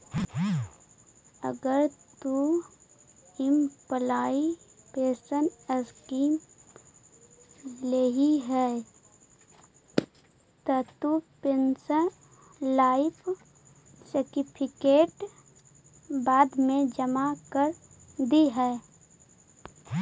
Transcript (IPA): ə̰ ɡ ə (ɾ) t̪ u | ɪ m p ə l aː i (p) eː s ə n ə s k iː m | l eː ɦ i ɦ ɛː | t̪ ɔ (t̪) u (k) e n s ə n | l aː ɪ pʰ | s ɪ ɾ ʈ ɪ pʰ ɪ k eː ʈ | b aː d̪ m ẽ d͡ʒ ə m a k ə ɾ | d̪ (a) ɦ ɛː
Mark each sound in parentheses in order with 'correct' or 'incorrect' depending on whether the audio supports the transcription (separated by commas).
correct, correct, correct, incorrect, incorrect